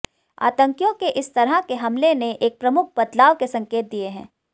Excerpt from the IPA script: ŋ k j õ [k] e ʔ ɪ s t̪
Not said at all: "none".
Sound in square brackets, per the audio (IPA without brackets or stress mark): k